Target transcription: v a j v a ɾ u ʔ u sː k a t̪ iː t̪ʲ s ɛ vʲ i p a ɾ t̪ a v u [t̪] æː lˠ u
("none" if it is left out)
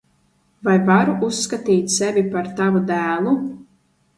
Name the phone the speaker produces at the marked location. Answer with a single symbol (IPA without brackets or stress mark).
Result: d̪